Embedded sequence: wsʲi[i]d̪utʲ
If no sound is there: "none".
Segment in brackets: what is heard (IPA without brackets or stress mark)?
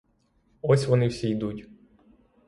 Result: j